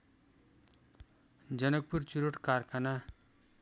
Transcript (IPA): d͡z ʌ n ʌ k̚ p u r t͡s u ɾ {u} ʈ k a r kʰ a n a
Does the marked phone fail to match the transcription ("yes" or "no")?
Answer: yes